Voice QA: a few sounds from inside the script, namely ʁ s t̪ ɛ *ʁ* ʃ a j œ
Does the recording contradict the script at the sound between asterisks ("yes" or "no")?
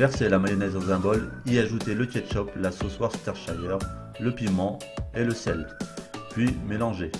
no